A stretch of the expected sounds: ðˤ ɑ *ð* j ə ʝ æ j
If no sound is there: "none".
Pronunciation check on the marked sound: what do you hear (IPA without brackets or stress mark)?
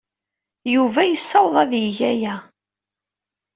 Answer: ð